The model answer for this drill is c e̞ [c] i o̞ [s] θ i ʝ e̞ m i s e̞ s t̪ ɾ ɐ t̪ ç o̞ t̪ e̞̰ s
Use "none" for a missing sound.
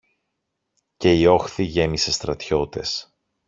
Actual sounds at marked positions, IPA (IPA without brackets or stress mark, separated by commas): none, x